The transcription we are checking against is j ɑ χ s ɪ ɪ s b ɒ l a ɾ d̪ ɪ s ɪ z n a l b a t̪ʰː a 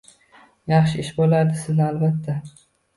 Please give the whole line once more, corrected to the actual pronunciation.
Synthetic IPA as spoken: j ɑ χ ʃ ɪ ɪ ʃ b o l a ɾ d̪ ɪ s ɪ z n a l b a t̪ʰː a